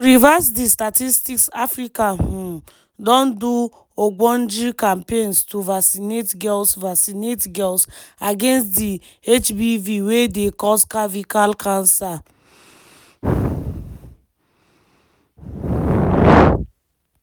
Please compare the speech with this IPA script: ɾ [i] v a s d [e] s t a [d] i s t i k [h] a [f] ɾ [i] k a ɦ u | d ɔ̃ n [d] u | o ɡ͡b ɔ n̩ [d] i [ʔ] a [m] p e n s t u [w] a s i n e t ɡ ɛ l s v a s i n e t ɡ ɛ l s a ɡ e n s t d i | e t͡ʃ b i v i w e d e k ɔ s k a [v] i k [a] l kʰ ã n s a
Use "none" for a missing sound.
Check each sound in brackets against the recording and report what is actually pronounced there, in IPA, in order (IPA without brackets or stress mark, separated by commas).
i, i, t, s, f, i, d, d͡ʒ, k, m, v, v, a